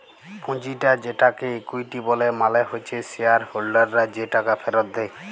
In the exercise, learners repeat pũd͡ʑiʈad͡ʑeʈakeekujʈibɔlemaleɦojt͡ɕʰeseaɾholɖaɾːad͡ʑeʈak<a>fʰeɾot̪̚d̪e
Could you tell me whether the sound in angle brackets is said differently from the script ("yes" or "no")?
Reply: no